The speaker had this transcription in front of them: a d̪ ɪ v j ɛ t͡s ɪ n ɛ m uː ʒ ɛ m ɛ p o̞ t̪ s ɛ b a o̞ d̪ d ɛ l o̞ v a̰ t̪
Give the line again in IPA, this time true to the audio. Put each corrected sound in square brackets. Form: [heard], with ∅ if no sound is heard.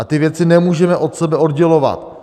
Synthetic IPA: a [t̪] ɪ v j ɛ t͡s ɪ n ɛ m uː ʒ ɛ m ɛ [ʔ] o̞ t̪ s ɛ b [ɛ] o̞ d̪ [ɟ] ɛ l o̞ v a̰ t̪